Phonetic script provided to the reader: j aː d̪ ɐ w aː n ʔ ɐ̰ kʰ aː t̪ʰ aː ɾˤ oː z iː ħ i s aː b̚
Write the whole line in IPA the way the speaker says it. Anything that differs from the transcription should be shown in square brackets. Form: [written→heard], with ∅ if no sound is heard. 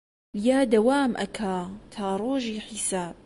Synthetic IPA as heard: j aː d̪ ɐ w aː [n→m] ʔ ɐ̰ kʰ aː t̪ʰ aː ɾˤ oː [z→ʒ] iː ħ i s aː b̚